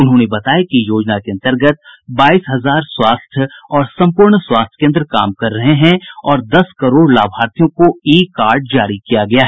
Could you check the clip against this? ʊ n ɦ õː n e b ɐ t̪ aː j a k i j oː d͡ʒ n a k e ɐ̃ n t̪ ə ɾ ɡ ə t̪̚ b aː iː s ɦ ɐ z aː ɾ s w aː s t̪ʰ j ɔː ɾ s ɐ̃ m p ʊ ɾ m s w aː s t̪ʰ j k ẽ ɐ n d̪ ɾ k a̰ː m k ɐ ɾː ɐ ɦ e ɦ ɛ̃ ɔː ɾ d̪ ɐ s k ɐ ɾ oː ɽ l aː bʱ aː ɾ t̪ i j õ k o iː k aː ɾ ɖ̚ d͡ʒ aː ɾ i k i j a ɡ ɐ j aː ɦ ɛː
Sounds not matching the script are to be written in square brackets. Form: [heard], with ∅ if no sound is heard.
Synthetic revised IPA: ʊ n ɦ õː n e b ɐ t̪ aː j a k i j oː d͡ʒ n a k e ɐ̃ n t̪ ə ɾ ɡ ə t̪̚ b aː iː s ɦ ɐ z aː ɾ s w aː s t̪ʰ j ɔː ɾ s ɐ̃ m p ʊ ɾ [ɳ] s w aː s t̪ʰ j k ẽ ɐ n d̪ ɾ k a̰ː m k ɐ ɾː ɐ ɦ e ɦ ɛ̃ ɔː ɾ d̪ ɐ s k ɐ ɾ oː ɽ l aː bʱ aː ɾ t̪ i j õ k o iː k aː ɾ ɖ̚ d͡ʒ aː ɾ i k i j a ɡ ɐ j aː ɦ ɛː